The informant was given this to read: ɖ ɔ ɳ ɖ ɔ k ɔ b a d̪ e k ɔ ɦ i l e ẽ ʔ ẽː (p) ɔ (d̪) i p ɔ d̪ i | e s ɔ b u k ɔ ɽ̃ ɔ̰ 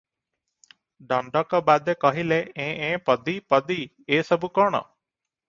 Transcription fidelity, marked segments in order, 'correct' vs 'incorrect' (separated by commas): correct, correct